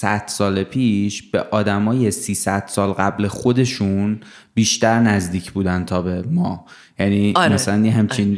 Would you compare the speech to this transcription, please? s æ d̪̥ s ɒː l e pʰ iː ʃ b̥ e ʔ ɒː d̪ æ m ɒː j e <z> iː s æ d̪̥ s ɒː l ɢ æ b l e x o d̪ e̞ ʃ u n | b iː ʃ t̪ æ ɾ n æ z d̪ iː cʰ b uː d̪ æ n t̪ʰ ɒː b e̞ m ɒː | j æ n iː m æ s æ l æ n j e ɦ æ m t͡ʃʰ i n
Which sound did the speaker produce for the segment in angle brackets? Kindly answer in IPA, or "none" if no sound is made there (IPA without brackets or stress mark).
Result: s